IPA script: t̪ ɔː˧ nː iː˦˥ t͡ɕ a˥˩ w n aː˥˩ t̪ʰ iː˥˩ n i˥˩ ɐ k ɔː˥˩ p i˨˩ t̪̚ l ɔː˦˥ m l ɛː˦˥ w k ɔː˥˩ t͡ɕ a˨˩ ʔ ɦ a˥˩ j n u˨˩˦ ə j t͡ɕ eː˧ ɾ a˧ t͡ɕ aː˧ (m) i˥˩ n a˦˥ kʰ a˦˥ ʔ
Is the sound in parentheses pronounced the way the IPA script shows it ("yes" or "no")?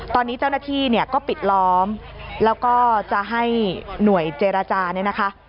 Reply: no